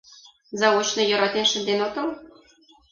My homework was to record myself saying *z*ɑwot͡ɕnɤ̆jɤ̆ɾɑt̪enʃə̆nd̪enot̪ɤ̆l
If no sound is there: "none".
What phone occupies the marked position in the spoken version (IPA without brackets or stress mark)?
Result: z